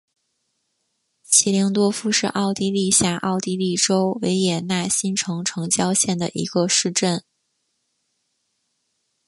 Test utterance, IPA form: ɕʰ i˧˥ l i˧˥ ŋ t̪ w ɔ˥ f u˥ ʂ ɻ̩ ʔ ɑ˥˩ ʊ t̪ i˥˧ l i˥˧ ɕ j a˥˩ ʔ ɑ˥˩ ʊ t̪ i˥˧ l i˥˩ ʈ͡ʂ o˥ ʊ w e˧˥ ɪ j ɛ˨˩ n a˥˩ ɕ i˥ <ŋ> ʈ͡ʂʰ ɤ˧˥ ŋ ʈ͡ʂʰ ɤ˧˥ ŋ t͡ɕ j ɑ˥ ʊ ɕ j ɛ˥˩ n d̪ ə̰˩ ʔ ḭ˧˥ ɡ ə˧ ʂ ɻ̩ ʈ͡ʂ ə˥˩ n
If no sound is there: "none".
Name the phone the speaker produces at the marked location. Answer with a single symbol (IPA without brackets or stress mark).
n